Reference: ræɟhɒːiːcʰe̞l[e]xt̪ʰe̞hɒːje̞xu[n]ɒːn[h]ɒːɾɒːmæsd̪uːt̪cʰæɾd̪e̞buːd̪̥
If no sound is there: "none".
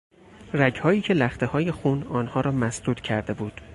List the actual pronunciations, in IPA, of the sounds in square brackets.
æ, n, h

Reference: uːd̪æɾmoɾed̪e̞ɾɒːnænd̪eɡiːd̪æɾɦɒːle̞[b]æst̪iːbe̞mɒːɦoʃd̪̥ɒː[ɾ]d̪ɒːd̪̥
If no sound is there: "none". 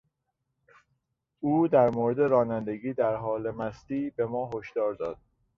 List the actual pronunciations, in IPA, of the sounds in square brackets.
m, ɾ

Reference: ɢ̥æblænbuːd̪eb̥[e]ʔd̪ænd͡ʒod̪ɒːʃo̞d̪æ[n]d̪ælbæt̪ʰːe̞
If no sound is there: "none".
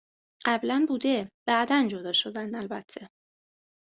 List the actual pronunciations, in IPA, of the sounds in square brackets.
æ, n

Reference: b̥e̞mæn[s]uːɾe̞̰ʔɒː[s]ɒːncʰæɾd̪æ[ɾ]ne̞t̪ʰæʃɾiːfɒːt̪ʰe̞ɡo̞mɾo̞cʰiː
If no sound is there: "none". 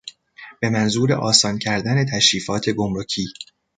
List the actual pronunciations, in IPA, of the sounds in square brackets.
z, s, none

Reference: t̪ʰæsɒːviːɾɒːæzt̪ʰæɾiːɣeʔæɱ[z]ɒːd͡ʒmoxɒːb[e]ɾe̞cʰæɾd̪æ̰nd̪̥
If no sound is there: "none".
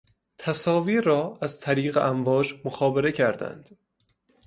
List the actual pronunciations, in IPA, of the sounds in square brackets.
v, e

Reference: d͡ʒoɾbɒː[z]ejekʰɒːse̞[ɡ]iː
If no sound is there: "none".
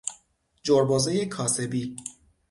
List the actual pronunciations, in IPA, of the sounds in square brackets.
z, b

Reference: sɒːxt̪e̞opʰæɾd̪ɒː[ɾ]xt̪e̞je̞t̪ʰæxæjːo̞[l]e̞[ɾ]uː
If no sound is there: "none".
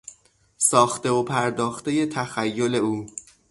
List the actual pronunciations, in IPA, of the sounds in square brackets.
none, l, none

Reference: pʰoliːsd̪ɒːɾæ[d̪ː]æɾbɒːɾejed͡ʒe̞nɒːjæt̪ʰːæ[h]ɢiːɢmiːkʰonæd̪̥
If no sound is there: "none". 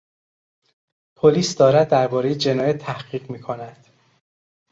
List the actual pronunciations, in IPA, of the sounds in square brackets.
d̪ː, h

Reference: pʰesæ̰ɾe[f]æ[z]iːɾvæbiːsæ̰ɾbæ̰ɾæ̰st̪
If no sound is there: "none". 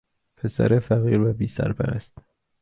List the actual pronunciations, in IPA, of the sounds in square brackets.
f, ɣ

